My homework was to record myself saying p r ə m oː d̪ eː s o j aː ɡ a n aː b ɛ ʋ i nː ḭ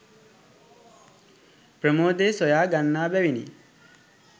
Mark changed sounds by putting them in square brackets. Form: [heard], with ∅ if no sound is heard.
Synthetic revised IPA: p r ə m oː d̪ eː s o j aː ɡ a [nː] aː b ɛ ʋ i [n] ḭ